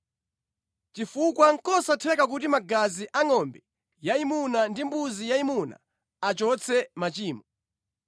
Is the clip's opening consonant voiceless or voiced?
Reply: voiceless